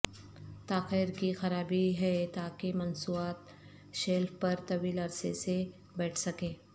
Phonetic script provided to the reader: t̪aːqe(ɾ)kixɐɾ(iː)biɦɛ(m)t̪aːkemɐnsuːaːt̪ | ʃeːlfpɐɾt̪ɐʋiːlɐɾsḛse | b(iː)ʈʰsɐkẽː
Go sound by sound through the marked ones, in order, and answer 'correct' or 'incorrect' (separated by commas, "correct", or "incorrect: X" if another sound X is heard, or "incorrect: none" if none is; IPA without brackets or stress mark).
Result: correct, incorrect: aː, incorrect: none, incorrect: ɛː